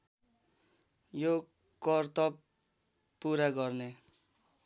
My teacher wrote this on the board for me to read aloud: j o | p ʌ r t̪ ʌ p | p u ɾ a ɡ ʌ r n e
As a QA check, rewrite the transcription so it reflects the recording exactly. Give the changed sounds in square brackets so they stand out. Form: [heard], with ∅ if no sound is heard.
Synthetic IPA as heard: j o | [k] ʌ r t̪ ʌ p | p u ɾ a ɡ ʌ r n e